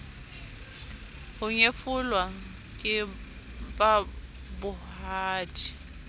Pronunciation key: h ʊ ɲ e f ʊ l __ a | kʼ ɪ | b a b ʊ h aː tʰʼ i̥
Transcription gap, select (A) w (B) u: A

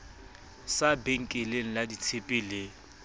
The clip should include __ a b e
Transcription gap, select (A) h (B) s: B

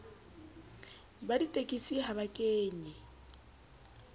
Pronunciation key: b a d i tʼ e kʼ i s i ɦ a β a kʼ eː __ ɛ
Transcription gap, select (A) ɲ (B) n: A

